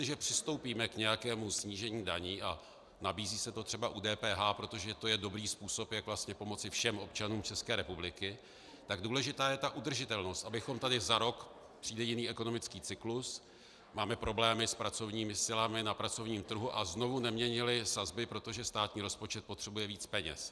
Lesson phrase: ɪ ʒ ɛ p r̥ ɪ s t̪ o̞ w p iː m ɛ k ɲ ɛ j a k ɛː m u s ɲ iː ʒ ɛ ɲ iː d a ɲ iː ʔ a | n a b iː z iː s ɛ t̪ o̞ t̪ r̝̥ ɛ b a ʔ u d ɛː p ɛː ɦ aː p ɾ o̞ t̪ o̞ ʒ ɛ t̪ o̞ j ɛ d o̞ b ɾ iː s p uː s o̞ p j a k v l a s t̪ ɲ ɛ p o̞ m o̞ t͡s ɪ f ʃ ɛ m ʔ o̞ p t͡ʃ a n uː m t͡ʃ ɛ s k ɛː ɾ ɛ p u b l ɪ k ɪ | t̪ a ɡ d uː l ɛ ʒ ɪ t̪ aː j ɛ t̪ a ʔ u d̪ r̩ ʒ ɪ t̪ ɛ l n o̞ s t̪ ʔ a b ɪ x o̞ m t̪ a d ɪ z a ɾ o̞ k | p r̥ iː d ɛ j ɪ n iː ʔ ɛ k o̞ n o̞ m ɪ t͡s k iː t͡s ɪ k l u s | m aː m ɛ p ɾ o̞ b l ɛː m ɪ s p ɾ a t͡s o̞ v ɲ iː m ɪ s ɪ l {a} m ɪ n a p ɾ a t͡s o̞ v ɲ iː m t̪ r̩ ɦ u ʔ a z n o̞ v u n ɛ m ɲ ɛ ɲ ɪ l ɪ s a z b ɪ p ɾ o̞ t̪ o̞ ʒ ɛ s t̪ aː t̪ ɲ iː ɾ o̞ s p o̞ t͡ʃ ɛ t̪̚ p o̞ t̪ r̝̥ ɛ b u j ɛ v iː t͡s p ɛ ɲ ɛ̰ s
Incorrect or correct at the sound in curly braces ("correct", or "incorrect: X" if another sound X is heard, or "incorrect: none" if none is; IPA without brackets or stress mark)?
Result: correct